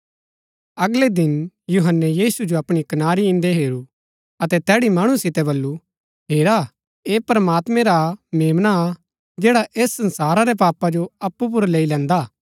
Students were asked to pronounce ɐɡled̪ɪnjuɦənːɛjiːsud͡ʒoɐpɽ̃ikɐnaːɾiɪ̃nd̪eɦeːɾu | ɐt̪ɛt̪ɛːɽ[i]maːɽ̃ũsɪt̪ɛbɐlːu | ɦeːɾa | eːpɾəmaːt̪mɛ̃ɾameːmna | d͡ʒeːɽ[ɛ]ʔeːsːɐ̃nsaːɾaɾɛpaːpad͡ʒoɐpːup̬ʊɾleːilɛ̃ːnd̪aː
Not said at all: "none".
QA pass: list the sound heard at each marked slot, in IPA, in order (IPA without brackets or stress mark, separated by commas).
i, a